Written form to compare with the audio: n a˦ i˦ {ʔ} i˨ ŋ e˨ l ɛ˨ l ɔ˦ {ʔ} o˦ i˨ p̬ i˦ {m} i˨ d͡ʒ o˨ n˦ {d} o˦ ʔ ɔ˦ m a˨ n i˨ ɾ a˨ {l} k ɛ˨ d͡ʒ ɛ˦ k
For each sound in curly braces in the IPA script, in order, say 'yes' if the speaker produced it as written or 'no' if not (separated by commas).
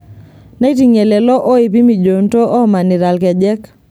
no, yes, yes, no, yes